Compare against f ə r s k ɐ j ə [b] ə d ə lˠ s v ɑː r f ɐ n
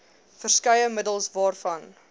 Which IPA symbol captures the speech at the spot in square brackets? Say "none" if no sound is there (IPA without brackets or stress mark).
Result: m